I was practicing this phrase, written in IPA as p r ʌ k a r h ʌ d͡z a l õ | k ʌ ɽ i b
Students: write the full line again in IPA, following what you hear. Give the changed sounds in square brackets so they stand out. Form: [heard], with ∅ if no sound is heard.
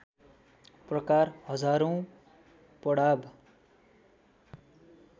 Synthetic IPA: p r ʌ k a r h ʌ d͡z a [ɾ] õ | [p] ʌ ɽ [a] b